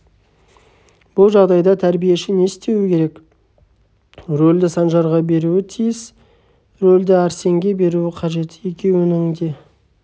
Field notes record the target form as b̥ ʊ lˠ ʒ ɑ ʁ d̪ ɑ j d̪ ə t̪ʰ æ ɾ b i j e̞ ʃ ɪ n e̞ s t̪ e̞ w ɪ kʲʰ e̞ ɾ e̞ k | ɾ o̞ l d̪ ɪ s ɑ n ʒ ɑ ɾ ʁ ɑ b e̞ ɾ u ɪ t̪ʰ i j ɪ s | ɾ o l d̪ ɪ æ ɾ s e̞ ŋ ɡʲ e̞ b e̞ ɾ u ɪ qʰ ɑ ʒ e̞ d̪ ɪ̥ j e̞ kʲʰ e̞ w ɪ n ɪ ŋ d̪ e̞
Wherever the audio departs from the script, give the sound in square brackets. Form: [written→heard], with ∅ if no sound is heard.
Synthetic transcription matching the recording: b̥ ʊ lˠ ʒ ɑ ʁ d̪ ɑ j d̪ [ə→ɑ] t̪ʰ æ ɾ b i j e̞ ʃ ɪ n e̞ s t̪ e̞ w ɪ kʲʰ e̞ ɾ e̞ k | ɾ o̞ l d̪ ɪ s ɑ n ʒ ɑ ɾ ʁ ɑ b e̞ ɾ u ɪ t̪ʰ i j ɪ s | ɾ o l d̪ ɪ æ ɾ s e̞ ŋ ɡʲ e̞ b e̞ ɾ u ɪ qʰ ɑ ʒ e̞ [d̪→t̪] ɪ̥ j e̞ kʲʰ e̞ w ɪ n ɪ ŋ d̪ e̞